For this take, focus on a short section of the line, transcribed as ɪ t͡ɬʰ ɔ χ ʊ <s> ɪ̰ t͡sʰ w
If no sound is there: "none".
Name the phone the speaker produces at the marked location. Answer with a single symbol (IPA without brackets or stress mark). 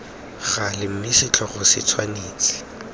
s